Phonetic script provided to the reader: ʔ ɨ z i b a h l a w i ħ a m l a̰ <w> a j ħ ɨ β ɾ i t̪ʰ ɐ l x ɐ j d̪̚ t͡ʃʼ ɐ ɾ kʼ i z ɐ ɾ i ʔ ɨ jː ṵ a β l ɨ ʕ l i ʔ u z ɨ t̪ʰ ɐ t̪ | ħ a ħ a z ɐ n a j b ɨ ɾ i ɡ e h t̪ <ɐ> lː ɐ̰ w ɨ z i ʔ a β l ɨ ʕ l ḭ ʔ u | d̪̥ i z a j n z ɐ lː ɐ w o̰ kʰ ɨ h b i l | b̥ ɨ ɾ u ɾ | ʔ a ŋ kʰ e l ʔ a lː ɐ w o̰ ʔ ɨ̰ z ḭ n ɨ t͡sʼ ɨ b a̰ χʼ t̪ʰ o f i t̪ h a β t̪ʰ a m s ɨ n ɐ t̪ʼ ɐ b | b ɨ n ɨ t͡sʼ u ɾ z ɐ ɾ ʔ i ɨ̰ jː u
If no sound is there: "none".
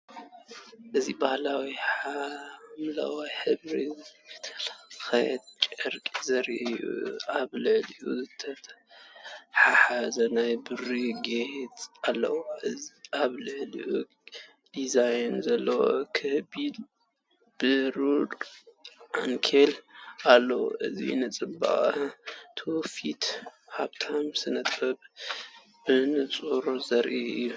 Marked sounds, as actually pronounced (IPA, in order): w, a

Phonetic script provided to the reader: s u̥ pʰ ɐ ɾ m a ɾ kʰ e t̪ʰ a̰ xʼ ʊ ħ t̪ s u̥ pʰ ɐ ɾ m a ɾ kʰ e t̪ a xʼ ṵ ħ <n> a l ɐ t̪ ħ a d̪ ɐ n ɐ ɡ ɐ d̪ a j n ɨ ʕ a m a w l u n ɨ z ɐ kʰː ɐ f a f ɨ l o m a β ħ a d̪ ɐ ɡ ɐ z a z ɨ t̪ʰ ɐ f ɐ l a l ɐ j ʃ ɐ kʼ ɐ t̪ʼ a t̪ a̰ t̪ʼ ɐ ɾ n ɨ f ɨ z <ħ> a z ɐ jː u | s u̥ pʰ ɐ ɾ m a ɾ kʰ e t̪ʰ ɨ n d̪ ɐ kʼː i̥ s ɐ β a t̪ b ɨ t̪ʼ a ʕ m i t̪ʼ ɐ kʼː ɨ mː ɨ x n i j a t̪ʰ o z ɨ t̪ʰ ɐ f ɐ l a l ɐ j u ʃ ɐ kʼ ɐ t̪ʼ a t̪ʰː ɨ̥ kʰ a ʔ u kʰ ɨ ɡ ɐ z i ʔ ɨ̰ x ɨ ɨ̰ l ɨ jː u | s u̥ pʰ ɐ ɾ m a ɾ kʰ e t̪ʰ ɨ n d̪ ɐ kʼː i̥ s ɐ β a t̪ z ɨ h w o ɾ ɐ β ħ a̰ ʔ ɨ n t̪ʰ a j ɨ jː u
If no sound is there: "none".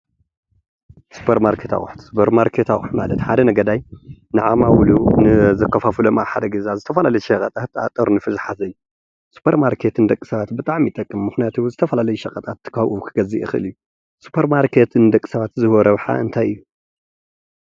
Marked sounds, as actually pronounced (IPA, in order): m, ħ

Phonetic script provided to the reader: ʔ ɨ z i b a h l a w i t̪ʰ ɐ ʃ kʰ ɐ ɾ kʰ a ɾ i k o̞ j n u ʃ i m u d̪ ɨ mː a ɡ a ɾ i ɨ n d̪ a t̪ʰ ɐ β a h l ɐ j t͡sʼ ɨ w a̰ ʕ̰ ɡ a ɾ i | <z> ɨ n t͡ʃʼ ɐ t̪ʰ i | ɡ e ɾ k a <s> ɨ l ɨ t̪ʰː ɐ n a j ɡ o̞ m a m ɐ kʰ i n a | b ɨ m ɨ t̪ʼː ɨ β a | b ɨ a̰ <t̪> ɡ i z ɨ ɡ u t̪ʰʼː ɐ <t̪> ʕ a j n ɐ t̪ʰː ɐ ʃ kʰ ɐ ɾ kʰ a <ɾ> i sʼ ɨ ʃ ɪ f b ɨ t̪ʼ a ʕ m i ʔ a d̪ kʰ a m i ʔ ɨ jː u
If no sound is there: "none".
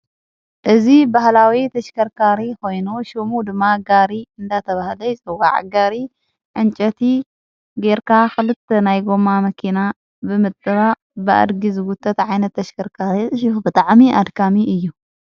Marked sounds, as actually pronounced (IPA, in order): ʕ, x, d̪, t̪, ɾ

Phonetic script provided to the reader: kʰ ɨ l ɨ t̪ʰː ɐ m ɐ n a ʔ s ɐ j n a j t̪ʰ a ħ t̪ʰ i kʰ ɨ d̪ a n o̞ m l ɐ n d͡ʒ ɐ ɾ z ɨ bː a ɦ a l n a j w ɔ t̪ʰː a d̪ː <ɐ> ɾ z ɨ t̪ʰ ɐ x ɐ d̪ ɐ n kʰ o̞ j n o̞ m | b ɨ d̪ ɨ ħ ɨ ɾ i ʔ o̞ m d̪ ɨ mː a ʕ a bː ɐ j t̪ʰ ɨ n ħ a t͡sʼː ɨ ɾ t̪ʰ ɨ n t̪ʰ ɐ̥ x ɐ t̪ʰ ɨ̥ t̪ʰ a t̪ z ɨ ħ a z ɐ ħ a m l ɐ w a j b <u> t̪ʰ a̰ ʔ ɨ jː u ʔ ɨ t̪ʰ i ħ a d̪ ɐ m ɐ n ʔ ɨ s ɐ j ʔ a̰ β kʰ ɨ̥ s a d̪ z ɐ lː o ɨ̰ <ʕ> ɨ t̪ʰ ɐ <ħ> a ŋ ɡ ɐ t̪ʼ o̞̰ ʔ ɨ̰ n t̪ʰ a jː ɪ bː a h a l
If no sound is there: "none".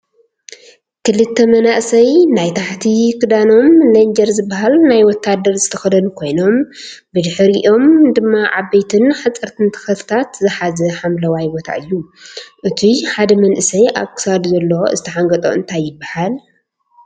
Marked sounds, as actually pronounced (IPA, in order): ɐ, o, z, ħ

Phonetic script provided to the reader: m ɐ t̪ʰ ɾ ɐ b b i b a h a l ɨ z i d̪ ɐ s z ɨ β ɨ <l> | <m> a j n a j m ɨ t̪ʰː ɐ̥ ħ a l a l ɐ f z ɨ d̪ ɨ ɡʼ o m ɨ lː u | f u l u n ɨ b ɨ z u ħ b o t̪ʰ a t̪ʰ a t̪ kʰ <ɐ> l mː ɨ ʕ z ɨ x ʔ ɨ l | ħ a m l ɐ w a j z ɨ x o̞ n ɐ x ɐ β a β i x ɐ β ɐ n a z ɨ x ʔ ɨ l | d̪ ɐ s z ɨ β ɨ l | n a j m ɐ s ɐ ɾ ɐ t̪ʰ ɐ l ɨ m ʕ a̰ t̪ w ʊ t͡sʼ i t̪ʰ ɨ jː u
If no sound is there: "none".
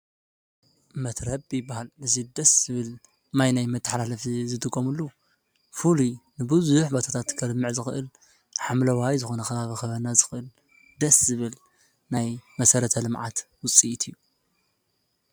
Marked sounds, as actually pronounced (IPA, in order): l, m, ɐ

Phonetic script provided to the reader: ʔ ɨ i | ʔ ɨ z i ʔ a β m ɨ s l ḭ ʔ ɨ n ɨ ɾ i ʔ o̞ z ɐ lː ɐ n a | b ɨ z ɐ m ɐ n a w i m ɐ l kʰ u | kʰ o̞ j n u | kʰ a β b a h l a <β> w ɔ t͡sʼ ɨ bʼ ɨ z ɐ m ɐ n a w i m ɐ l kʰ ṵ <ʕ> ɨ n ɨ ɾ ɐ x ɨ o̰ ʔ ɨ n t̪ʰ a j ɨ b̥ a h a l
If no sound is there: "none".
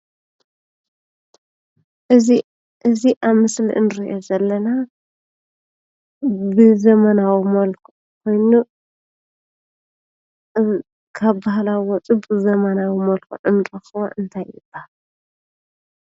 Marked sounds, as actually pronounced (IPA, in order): w, ʕ

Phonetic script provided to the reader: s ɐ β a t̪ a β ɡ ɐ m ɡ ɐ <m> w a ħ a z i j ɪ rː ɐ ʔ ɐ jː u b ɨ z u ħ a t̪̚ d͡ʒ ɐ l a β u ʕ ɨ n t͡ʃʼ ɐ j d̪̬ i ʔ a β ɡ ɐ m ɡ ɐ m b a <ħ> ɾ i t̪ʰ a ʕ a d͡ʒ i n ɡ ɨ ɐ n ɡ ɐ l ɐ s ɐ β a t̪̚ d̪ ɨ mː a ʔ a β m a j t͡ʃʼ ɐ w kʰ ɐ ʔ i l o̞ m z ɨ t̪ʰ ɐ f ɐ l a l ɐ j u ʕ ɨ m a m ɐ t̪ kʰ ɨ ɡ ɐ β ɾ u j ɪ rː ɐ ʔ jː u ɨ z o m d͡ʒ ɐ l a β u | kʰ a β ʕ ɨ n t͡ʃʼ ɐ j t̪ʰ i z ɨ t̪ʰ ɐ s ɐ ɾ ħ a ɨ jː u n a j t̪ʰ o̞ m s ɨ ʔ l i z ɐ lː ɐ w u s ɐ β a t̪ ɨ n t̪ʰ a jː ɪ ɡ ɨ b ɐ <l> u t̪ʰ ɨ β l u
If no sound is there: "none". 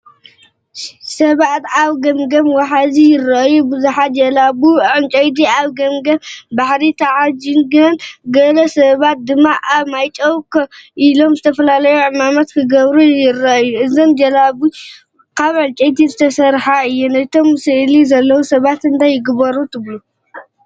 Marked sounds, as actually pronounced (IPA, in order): m, ħ, ɾ

